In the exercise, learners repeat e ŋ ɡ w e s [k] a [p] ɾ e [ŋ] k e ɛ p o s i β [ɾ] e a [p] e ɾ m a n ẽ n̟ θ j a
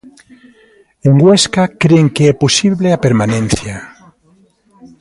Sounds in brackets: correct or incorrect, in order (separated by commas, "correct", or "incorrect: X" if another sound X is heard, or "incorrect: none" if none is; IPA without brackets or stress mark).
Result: correct, incorrect: k, correct, incorrect: l, correct